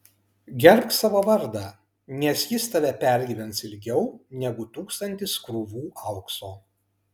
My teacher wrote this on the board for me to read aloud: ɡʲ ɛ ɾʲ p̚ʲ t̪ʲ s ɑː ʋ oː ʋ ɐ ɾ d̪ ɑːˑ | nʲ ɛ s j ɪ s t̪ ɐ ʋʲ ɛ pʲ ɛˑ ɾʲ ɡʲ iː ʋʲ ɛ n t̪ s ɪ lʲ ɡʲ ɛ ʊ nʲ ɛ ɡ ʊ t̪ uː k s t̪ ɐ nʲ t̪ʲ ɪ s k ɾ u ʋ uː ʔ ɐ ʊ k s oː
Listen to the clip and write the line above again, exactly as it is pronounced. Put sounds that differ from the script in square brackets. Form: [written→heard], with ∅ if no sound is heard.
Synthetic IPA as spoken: ɡʲ ɛ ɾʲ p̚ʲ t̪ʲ s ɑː ʋ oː ʋ ɐ ɾ d̪ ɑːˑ | nʲ ɛ s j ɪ s t̪ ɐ ʋʲ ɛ pʲ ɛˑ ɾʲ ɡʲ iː ʋʲ ɛ n t̪ s ɪ lʲ ɡʲ ɛ ʊ nʲ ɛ ɡ ʊ t̪ uː k s t̪ ɐ nʲ t̪ʲ ɪ s k ɾ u ʋ uː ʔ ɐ ʊ k s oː